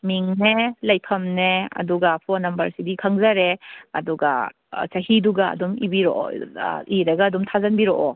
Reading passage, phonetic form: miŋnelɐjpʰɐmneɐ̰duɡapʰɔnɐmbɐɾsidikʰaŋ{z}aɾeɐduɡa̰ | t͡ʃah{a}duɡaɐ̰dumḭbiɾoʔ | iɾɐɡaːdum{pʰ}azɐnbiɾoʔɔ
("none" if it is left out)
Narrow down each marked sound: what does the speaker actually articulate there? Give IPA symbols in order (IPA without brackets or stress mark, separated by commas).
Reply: z, i, tʰ